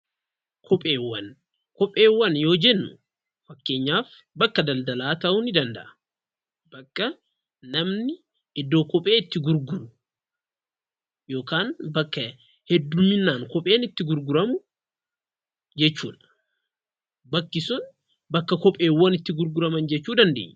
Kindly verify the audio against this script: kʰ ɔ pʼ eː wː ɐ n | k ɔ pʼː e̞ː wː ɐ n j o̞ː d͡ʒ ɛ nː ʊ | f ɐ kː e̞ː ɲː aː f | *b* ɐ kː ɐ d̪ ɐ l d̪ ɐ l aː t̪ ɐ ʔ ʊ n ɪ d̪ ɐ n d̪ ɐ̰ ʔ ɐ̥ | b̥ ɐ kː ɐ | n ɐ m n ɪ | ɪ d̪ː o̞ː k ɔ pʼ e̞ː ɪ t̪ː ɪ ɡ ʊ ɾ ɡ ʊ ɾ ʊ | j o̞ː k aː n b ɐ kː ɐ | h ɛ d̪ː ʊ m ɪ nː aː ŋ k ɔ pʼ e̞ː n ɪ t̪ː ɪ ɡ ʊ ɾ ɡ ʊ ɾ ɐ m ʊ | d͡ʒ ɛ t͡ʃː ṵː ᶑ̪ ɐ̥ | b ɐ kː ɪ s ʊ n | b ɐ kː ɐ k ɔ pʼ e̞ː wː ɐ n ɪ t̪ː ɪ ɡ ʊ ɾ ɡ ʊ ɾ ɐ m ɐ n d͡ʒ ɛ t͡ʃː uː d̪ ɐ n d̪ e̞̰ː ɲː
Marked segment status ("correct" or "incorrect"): correct